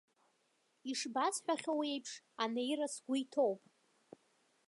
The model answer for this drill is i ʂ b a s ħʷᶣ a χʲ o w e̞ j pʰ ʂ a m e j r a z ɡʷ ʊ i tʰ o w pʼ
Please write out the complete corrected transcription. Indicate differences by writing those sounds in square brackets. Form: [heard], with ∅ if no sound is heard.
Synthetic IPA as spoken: i ʂ b a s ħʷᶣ a χʲ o w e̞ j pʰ ʂ a [n] e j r a [s] ɡʷ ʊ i tʰ o w pʼ